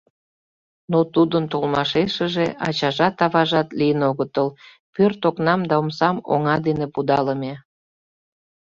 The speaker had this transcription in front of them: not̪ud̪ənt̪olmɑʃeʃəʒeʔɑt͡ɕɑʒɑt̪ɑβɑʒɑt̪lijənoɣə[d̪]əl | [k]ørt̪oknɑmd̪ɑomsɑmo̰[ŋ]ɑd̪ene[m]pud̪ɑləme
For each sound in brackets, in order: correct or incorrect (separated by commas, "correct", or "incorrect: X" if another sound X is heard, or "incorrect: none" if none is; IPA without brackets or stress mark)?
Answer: incorrect: t̪, incorrect: p, correct, incorrect: none